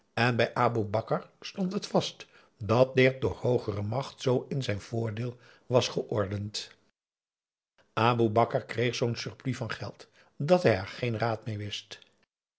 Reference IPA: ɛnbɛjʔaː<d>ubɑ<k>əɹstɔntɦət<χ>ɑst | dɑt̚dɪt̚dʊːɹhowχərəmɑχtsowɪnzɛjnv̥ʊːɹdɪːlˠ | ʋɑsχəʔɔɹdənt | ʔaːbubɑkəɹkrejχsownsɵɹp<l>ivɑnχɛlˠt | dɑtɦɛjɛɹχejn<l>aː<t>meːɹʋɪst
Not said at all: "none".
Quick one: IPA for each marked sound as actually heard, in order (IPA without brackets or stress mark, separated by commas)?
b, k, f, l, r, t